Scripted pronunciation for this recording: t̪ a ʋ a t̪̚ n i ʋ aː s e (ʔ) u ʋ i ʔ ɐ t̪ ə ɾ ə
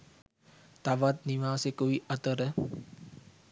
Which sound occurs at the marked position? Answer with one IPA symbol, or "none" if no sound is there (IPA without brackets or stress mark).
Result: k